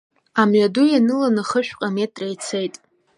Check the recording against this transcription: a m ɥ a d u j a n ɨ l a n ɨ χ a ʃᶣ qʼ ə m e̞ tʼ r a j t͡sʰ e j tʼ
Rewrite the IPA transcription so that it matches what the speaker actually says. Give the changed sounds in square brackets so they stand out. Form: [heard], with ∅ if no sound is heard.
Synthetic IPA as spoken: a m ɥ a d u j a n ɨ l a n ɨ χ [ə] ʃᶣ qʼ [a] m e̞ tʼ r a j t͡sʰ e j tʼ